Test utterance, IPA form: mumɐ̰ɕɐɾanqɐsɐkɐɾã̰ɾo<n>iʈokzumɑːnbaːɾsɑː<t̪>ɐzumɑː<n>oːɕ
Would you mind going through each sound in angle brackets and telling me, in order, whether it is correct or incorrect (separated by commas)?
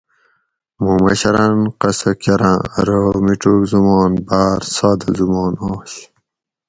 incorrect, incorrect, correct